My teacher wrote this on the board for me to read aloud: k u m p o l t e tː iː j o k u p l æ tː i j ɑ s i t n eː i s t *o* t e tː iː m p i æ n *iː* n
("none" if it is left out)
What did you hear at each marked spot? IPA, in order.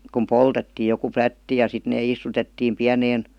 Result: u, eː

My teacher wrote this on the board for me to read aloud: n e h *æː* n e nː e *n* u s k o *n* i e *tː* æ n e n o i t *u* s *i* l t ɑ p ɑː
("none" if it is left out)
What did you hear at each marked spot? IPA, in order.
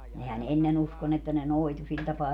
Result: æ, n, n, tː, u, i

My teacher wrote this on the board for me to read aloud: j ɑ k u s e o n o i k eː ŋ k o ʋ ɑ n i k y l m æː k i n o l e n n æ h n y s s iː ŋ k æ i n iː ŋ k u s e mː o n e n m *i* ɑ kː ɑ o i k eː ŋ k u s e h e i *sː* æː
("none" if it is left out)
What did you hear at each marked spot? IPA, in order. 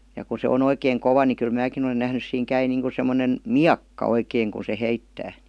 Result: i, tː

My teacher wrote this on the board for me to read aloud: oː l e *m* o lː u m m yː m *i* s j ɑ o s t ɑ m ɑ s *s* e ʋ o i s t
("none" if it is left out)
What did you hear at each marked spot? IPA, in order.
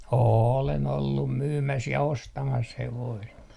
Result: n, æ, h

